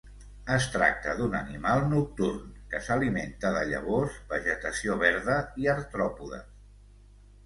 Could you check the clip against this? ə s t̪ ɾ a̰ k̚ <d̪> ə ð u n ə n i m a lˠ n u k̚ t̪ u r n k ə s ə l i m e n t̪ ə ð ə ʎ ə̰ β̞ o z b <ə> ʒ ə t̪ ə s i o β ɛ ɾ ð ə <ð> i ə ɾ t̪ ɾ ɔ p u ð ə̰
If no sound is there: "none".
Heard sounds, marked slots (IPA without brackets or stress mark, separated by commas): t̪, ə, none